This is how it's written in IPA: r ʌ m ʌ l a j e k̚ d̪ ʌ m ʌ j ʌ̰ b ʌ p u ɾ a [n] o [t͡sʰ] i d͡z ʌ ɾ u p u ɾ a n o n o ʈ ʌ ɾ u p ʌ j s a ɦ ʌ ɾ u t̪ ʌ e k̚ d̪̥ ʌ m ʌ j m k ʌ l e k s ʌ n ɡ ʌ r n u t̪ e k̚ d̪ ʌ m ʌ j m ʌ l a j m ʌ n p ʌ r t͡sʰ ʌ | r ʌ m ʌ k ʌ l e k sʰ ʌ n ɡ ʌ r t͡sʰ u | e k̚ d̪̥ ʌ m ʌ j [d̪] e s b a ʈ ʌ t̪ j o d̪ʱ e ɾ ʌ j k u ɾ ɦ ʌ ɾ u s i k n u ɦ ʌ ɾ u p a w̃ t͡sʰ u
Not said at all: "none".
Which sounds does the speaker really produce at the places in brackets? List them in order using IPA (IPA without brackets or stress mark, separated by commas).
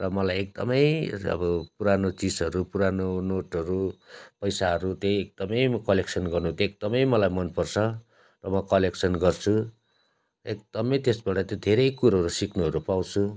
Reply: n, t͡s, t̪